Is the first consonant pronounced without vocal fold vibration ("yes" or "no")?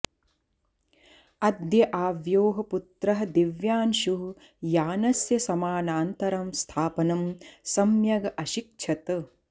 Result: no